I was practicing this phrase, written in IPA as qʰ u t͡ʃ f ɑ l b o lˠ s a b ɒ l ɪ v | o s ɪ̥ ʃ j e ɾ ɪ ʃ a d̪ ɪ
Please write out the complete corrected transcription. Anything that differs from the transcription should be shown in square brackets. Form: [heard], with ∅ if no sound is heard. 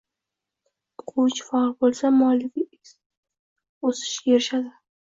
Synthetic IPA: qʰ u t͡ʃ f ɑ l b o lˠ s a [m] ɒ l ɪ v | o s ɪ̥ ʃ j e ɾ ɪ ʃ a d̪ ɪ